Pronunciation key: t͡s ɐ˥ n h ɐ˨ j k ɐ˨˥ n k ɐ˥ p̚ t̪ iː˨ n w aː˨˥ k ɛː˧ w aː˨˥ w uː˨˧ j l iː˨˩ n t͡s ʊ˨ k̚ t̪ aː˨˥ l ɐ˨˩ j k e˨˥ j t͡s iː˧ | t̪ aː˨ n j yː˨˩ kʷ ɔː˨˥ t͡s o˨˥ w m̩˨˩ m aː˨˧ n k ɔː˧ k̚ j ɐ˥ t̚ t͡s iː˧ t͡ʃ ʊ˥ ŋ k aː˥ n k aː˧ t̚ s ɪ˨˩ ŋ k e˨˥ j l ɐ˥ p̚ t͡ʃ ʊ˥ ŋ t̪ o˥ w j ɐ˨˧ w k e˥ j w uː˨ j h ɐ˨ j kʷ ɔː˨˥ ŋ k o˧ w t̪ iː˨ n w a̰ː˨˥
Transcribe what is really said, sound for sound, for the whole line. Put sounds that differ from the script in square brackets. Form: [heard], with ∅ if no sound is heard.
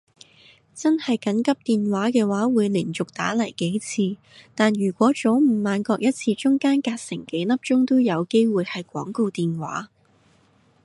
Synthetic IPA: t͡s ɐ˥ n h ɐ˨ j k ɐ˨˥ n k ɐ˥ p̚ t̪ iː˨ n w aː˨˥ k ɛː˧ w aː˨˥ w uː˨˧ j l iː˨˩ n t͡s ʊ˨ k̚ t̪ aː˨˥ l ɐ˨˩ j k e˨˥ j [t͡sʰ] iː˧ | t̪ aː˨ n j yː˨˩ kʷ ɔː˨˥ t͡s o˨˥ w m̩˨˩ m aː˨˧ n k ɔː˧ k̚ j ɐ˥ t̚ [t͡sʰ] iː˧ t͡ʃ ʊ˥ ŋ k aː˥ n k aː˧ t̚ s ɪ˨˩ ŋ k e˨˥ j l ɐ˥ p̚ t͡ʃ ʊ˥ ŋ t̪ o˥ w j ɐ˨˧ w k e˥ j w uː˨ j h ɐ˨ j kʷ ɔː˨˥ ŋ k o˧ w t̪ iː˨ n w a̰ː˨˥